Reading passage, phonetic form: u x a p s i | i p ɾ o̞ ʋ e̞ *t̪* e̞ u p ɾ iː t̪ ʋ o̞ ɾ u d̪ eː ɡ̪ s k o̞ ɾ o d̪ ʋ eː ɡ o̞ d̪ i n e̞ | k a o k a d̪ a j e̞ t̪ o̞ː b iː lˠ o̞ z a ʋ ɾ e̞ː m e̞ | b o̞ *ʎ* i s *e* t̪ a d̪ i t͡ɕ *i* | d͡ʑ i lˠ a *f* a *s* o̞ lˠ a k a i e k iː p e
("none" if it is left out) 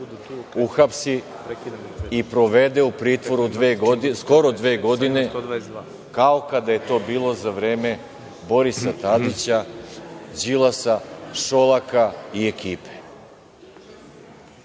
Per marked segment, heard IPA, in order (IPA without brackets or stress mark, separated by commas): d̪, ɾ, a, a, s, ʃ